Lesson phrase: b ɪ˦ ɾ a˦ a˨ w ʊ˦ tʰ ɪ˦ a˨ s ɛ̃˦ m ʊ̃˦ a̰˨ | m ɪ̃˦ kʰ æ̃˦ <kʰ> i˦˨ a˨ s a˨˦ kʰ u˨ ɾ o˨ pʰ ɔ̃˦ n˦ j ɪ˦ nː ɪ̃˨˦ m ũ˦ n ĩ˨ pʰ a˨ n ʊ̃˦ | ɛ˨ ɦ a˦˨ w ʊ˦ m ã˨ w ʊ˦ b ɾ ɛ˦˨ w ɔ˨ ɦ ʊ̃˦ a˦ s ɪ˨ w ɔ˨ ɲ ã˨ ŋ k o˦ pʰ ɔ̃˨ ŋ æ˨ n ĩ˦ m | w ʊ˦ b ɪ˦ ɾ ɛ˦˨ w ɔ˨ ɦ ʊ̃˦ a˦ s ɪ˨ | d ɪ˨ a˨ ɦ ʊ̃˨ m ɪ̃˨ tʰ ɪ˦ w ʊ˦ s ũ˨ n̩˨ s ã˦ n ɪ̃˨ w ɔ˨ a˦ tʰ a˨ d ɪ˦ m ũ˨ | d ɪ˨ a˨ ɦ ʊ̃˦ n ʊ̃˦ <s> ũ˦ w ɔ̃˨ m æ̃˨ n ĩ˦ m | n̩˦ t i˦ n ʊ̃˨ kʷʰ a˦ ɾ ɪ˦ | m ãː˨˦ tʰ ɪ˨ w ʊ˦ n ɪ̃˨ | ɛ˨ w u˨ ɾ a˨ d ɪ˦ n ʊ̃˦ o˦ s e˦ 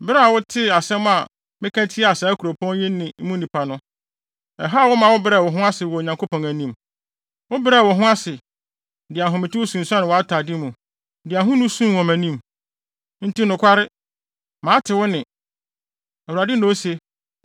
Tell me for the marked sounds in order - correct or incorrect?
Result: incorrect: tʰ, correct

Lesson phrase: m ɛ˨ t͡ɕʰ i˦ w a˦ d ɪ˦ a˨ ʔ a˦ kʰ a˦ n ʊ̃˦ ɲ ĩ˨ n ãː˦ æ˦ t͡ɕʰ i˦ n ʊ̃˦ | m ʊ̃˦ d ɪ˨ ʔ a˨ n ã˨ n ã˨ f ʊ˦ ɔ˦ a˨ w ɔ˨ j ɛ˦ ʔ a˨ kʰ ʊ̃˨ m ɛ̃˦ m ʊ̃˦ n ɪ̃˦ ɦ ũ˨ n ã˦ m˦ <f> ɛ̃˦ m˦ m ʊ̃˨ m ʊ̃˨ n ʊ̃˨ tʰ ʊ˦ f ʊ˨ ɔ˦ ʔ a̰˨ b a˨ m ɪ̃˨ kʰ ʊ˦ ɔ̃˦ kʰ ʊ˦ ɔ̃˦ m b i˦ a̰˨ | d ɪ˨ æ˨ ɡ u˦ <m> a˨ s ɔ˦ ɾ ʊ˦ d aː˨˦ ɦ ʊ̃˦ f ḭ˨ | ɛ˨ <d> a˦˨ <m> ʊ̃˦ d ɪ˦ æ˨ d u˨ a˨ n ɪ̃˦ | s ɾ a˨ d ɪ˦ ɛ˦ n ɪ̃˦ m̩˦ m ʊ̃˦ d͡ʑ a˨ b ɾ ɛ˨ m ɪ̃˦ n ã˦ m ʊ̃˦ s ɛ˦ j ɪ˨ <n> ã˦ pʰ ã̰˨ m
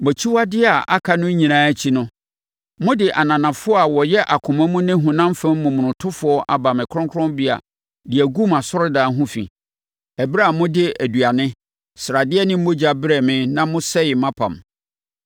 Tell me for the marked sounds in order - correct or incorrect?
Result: correct, correct, incorrect: b, correct, incorrect: m

